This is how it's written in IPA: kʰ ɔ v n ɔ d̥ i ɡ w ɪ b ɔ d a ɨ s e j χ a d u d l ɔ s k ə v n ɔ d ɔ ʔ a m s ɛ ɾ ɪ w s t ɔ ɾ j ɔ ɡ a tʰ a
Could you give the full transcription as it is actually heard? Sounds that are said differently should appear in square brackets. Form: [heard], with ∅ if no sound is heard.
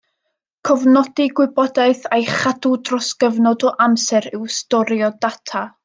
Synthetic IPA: kʰ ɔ v n ɔ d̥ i ɡ w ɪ b ɔ d a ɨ [θ] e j χ a d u d [r] ɔ s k ə v n ɔ d ɔ ʔ a m s ɛ ɾ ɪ w s t ɔ ɾ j ɔ [d] a tʰ a